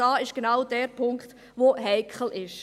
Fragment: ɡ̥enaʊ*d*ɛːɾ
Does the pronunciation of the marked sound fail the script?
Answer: no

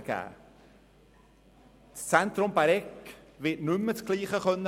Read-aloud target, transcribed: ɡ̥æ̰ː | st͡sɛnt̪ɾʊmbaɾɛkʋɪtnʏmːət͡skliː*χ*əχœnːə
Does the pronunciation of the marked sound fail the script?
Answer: no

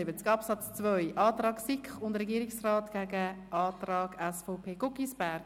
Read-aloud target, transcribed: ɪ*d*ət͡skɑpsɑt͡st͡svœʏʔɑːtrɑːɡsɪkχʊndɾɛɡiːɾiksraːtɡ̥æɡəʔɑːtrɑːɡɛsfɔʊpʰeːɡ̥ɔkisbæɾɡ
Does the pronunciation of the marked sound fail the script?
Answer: yes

